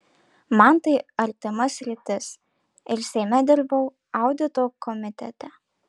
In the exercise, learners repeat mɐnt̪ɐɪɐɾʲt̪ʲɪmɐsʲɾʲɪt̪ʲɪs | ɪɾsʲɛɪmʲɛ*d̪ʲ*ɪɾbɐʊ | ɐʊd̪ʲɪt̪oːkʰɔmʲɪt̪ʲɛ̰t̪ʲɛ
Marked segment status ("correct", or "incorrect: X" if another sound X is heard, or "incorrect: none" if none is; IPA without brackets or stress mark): correct